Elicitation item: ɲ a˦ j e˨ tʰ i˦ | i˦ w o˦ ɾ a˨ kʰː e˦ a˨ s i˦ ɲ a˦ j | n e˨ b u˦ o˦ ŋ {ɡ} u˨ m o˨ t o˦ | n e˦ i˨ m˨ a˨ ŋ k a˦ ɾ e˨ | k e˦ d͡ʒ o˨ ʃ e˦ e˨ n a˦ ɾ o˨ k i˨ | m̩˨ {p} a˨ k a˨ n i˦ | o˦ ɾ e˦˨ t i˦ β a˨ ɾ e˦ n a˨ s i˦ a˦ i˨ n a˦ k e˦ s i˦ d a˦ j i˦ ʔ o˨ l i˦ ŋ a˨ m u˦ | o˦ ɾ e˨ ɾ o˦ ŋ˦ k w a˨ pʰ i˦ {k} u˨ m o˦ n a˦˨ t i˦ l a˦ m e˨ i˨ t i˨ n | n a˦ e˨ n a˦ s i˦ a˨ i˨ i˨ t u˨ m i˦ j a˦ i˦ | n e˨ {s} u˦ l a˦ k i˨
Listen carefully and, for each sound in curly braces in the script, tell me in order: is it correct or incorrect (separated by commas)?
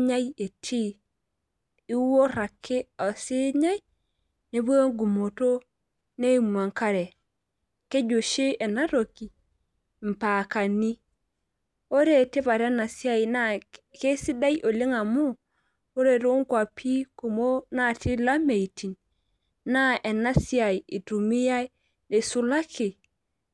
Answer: correct, correct, correct, correct